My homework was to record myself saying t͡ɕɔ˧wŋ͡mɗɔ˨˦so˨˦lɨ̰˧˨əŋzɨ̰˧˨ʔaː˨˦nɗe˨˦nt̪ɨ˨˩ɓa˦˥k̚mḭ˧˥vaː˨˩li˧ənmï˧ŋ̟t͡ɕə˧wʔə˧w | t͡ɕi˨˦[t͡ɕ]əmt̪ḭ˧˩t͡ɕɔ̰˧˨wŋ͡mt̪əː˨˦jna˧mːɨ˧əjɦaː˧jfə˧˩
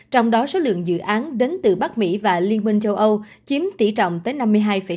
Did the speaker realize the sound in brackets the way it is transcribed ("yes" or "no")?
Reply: no